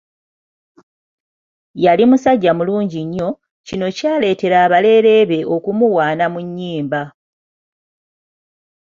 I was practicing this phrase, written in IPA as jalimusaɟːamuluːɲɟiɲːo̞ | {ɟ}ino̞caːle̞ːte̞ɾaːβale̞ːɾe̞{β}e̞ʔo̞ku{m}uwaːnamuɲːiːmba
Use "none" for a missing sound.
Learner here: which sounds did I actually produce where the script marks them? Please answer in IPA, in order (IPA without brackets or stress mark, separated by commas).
c, β, m